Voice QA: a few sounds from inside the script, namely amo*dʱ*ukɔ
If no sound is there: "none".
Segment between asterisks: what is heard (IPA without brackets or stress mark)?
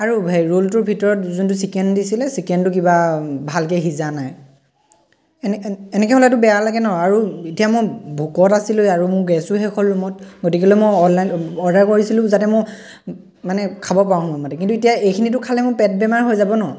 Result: bʱ